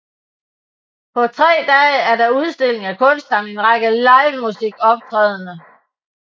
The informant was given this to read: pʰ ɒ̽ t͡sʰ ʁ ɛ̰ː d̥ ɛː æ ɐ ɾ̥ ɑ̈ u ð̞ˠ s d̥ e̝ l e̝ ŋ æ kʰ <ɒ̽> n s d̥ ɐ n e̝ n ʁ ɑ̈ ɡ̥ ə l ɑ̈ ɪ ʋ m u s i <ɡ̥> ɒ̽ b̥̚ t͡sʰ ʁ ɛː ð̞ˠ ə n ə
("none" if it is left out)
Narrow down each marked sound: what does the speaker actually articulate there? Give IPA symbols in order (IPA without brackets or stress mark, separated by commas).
ɔ̽, ɡ̥